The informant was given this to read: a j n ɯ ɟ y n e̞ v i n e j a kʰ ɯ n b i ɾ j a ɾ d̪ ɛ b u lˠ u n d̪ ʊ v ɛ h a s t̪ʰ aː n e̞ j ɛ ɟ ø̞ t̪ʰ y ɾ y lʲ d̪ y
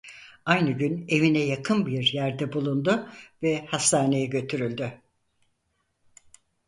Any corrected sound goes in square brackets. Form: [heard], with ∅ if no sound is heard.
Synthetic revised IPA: a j n ɯ ɟ y n e̞ v i n [ɛ] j a kʰ ɯ n b i ɾ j [æ] ɾ d̪ ɛ b u lˠ u n d̪ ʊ v ɛ h a s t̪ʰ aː n e̞ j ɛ ɟ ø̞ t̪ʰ y ɾ y lʲ d̪ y